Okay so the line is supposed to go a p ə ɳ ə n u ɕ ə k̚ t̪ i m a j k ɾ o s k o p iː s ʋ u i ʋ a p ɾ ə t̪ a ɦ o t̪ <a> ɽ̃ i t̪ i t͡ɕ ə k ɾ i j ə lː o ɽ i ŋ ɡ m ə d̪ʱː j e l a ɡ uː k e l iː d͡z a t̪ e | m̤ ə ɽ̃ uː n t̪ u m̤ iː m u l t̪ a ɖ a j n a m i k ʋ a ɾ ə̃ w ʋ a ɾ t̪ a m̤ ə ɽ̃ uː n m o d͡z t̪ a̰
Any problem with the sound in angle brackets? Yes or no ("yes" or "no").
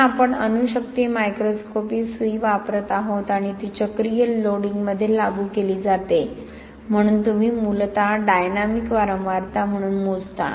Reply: no